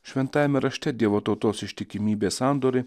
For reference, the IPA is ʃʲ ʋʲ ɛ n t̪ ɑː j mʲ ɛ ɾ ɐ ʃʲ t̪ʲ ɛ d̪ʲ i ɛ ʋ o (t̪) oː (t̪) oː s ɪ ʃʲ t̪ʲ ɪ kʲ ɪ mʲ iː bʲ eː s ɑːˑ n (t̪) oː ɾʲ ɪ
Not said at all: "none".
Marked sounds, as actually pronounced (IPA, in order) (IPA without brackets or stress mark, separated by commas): t̪, t̪, d̪